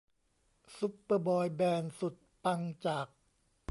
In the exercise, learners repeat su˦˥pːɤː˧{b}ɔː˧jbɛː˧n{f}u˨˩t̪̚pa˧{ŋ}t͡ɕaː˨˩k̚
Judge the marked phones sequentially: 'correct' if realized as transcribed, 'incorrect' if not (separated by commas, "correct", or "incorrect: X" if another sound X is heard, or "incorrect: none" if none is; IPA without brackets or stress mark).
correct, incorrect: s, correct